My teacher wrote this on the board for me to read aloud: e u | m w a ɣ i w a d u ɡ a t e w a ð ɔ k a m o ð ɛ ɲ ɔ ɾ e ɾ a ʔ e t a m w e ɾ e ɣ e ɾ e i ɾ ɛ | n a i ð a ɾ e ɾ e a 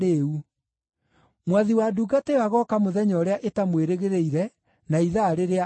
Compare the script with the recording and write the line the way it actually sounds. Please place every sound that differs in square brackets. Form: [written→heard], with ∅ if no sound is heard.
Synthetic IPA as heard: e u | m w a [ɣ→ð] i w a d u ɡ a t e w a [ð→ɣ] ɔ k a m o ð ɛ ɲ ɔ ɾ e [ɾ→∅] a ʔ e t a m w e ɾ e ɣ e ɾ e i ɾ ɛ | n a i ð a ɾ e ɾ e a